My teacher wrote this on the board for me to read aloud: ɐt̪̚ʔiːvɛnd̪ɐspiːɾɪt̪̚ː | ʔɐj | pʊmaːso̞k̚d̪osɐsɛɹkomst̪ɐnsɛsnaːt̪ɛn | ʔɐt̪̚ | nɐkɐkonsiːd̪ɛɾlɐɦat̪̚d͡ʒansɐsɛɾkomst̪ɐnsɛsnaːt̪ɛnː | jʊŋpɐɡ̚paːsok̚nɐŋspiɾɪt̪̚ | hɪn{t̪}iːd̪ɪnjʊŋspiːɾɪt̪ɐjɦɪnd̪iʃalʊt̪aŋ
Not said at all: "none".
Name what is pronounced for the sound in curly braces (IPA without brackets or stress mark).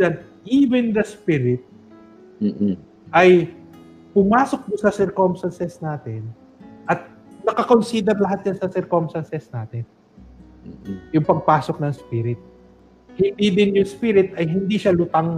d̪